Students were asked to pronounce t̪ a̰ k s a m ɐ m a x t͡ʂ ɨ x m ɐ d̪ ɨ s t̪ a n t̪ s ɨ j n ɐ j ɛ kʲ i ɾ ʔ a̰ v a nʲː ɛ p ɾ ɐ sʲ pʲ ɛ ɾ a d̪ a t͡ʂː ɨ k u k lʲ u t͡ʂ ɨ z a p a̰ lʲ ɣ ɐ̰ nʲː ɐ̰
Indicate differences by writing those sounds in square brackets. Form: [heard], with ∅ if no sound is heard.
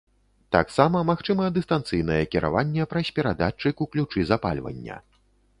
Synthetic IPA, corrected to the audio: t̪ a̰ k s a m ɐ m a x t͡ʂ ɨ [∅] m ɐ d̪ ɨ s t̪ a n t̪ s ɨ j n ɐ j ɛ kʲ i ɾ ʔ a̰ v a nʲː ɛ p ɾ ɐ sʲ pʲ ɛ ɾ a d̪ a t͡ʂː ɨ k u k lʲ u t͡ʂ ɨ z a p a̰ lʲ [v] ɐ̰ nʲː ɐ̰